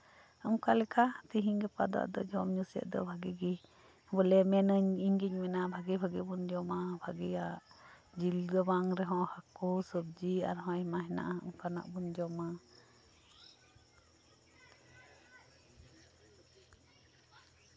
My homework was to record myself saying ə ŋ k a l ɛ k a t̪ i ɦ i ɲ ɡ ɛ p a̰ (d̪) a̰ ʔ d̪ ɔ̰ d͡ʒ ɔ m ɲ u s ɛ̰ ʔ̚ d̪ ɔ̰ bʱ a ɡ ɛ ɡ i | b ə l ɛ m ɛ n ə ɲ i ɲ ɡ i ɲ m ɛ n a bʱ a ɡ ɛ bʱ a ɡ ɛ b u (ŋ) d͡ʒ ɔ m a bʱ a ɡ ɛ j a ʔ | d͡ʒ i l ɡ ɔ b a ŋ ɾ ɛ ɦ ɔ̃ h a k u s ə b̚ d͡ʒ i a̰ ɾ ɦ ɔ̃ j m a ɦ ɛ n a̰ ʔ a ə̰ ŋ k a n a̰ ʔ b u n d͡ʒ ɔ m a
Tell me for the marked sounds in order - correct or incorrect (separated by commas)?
correct, incorrect